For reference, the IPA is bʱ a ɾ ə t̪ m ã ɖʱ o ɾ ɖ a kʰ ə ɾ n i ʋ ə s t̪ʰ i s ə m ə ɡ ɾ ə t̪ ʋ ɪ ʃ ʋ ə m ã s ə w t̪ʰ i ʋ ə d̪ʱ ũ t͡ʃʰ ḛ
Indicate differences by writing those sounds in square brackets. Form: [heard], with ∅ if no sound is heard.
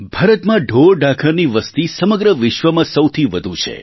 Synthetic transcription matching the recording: bʱ a ɾ ə t̪ m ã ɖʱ o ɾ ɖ a kʰ ə ɾ n i ʋ ə s [t̪] i s ə m ə ɡ ɾ ə [∅] ʋ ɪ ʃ ʋ ə m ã s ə w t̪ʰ i ʋ ə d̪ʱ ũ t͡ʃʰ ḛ